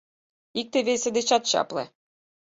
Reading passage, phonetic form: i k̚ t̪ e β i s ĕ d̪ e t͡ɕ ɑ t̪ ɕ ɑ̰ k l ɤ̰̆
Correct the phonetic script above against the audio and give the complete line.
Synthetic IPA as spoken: i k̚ t̪ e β e s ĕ d̪ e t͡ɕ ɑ t̪ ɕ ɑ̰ p l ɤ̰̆